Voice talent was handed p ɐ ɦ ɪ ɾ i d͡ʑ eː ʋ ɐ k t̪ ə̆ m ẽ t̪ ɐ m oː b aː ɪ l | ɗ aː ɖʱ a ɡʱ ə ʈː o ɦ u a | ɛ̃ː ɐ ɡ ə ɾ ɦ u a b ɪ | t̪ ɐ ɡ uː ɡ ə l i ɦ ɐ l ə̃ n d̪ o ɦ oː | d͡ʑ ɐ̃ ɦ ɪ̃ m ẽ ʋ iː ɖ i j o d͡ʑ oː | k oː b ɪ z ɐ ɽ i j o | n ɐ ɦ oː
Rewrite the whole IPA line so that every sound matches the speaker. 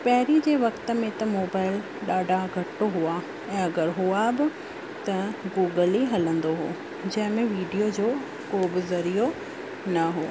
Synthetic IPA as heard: p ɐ ɦ ɪ ɾ i d͡ʑ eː ʋ ɐ k t̪ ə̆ m ẽ t̪ ɐ m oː b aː ɪ l | ɗ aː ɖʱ a ɡʱ ɐ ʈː o ɦ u a | ɛ̃ː ɐ ɡ ə ɾ ɦ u a b ɪ | t̪ ɐ ɡ uː ɡ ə l i ɦ ɐ l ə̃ n d̪ o ɦ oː | d͡ʑ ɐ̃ ɦ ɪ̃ m ẽ ʋ iː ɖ i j o d͡ʑ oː | k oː b ɪ z ɐ ɾ i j o | n ɐ ɦ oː